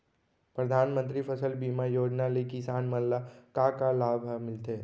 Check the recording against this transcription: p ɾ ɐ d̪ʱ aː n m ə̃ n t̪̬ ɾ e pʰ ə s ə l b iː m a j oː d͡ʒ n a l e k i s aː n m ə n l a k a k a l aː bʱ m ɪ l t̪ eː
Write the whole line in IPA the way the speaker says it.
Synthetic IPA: p ɾ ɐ d̪ʱ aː n m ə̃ n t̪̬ ɾ i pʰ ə s ə l b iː m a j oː d͡ʒ n a l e k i s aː n m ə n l a k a k a l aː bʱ m ɪ l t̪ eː